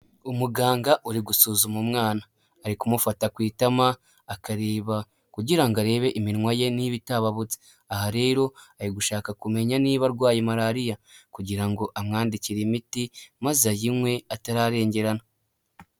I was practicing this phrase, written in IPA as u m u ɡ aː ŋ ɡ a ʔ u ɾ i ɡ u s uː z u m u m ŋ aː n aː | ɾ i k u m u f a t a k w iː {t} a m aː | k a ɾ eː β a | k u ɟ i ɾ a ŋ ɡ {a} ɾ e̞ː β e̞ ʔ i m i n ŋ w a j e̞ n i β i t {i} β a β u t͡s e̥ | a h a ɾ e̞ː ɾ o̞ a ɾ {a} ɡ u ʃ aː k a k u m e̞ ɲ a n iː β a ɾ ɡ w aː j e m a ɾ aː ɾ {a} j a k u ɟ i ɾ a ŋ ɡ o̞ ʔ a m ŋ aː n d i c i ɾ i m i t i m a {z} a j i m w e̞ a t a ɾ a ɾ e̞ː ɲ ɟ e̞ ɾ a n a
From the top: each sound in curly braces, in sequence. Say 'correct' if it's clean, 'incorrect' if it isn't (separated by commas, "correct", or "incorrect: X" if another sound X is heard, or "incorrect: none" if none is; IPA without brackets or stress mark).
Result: correct, correct, incorrect: a, incorrect: i, incorrect: i, correct